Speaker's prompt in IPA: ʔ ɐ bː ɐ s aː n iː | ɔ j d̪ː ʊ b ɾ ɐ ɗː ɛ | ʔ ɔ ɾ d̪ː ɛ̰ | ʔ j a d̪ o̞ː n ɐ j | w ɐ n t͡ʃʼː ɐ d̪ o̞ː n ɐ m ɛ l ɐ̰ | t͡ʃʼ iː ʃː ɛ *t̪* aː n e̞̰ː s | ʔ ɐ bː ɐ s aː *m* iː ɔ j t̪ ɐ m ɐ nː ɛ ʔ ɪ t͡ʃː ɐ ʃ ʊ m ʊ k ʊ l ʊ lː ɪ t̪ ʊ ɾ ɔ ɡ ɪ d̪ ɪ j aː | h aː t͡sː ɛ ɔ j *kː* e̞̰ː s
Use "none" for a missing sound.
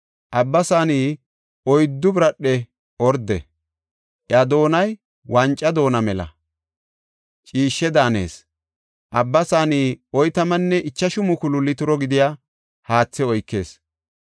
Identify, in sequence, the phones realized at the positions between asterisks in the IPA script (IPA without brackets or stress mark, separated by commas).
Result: d̪, n, kː